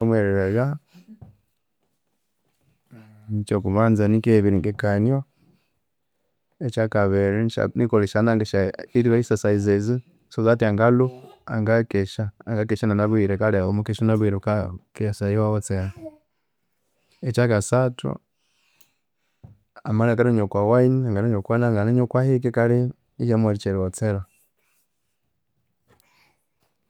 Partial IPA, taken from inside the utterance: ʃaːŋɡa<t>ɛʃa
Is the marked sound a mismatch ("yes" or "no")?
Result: yes